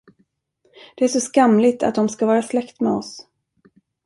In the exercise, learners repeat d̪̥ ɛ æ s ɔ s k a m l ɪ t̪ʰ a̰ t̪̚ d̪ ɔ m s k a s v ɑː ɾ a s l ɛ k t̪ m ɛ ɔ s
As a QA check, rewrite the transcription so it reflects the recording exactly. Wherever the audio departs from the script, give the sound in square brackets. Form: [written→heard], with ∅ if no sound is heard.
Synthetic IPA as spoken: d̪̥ ɛ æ [s→ʂ] ɔ s k a m l ɪ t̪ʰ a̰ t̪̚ d̪ ɔ m s k a [s→∅] v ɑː ɾ a s l ɛ k t̪ m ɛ ɔ s

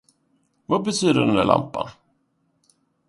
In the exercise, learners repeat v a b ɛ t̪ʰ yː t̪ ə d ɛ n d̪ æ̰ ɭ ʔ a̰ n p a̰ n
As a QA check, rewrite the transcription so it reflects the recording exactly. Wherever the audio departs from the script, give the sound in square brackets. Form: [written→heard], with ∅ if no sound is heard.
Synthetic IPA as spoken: v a b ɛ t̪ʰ yː [t̪→d̪] ə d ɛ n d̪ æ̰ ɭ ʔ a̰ [n→m] p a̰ n

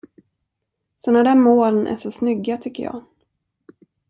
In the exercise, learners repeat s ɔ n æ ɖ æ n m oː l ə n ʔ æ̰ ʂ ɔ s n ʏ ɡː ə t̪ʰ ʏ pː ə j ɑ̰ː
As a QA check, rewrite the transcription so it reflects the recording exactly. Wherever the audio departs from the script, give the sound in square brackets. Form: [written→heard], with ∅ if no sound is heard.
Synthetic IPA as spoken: s ɔ n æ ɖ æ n m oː l ə n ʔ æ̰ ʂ ɔ s n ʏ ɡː [ə→a] t̪ʰ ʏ [pː→kː] ə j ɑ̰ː

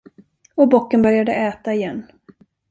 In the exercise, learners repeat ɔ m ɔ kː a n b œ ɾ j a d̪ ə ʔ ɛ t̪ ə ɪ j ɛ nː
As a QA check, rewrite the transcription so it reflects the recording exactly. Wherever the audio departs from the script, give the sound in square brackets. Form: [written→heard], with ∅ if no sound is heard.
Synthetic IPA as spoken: ɔ [m→b] ɔ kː [a→ə] n b œ ɾ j a d̪ ə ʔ [ɛ→ɛː] t̪ [ə→a] ɪ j ɛ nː

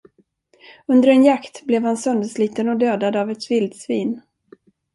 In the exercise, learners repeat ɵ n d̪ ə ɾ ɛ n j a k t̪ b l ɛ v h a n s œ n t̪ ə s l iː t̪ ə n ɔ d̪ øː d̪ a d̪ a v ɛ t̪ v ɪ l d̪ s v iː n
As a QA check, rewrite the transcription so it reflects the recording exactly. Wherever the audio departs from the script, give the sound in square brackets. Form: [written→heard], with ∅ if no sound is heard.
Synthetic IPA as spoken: ɵ n d̪ ə ɾ ɛ n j a k t̪ b l ɛ v h a n s œ n [t̪→d̪] ə s l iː t̪ ə n ɔ d̪ øː d̪ a d̪ a v ɛ t̪ v ɪ l d̪ s v iː n

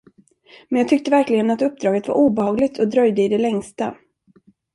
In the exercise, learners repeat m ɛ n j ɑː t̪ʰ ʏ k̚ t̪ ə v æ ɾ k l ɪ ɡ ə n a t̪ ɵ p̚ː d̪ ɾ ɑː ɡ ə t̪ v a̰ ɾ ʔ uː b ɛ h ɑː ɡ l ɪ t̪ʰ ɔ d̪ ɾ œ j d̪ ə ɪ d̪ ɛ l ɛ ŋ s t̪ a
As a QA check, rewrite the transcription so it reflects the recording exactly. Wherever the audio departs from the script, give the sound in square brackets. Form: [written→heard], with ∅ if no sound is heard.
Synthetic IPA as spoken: m ɛ n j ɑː t̪ʰ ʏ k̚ t̪ ə v æ ɾ k l ɪ ɡ ə n a t̪ ɵ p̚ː d̪ ɾ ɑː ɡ ə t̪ v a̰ ɾ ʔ uː b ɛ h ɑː ɡ l ɪ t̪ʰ ɔ d̪ ɾ œ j d̪ ə ɪ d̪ ɛ l ɛ ŋ s t̪ a

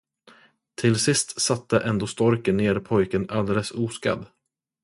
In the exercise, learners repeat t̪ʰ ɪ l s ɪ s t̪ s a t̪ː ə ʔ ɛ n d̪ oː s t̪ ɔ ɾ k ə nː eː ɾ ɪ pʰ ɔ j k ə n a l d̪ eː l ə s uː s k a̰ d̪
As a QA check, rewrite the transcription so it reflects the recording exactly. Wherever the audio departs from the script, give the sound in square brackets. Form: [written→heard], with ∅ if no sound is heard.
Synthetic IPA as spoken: t̪ʰ ɪ l s ɪ s t̪ s a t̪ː ə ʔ ɛ n d̪ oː s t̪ ɔ ɾ k ə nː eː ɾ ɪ pʰ ɔ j k ə n a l d̪ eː l ə s uː s k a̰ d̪

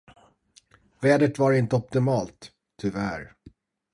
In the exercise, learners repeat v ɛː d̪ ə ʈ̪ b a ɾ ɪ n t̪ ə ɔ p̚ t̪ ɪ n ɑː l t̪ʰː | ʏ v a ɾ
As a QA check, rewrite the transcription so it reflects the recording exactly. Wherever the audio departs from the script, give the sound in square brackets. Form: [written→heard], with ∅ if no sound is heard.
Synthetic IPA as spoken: v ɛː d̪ ə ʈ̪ [b→v] a ɾ ɪ n t̪ ə ɔ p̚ t̪ ɪ [n→m] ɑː l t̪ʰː | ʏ v [a→æ] ɾ

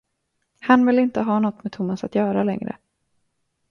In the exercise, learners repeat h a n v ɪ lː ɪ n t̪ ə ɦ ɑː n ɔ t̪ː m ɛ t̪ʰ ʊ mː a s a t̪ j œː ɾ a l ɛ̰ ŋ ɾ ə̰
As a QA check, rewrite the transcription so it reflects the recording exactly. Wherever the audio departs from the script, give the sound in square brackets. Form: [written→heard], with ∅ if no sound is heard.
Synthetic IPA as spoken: h a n v ɪ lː ɪ n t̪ ə ɦ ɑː n ɔ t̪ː m ɛ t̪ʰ ʊ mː a s a t̪ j œː ɾ a l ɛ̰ ŋ ɾ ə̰

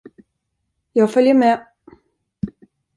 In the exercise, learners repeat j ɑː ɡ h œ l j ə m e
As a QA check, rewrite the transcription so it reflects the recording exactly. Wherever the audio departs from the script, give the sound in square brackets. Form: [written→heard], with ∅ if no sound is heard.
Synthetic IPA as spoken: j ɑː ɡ [h→f] œ l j ə m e

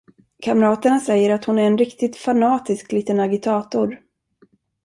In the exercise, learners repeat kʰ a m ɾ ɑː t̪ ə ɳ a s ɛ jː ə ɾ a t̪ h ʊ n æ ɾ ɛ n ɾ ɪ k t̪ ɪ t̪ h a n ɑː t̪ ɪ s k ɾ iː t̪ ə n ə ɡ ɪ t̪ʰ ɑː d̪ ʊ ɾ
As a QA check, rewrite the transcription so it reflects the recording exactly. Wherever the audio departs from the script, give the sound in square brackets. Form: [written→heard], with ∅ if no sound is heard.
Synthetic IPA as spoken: kʰ a m ɾ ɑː t̪ ə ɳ a s ɛ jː ə ɾ a t̪ h ʊ n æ ɾ ɛ n ɾ ɪ k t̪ ɪ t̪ [h→f] a n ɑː t̪ ɪ s k [ɾ→l] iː t̪ ə n [ə→a] ɡ ɪ t̪ʰ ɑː [d̪→t̪] ʊ ɾ

